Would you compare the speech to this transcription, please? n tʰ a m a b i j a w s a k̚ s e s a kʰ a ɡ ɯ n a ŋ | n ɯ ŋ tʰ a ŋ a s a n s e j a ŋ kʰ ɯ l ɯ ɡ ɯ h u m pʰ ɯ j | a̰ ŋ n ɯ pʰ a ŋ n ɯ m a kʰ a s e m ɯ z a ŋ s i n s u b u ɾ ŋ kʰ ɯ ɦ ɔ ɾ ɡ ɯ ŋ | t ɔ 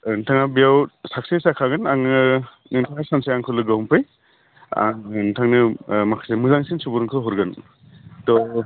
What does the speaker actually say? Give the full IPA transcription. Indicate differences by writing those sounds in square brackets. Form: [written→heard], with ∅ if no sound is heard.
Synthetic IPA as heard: n tʰ a [m→ŋ] a b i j a w s a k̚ s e s a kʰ a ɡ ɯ n a ŋ | n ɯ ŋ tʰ a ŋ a s a n s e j a ŋ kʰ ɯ l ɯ ɡ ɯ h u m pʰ ɯ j | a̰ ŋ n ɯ [pʰ→tʰ] a ŋ n ɯ m a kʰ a s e m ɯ z a ŋ s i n s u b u ɾ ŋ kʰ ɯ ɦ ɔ ɾ ɡ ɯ [ŋ→n] | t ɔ